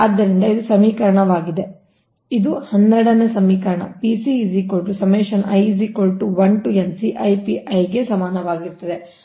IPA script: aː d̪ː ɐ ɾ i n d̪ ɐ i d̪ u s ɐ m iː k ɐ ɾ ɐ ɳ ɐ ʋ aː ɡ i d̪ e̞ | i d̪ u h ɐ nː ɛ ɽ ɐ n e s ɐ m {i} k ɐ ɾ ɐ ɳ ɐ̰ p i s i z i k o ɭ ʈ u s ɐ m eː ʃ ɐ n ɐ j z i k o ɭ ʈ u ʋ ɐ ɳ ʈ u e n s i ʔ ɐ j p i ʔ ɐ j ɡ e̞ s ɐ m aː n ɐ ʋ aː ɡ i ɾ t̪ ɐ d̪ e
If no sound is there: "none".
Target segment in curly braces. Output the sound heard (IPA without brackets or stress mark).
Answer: iː